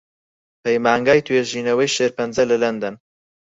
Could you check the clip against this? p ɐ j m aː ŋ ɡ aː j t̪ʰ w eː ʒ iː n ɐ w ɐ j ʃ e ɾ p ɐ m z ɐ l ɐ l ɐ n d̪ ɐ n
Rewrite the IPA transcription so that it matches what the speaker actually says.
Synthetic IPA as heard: p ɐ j m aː ŋ ɡ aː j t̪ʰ w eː ʒ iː n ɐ w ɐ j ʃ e ɾ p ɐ n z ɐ l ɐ l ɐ n d̪ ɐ n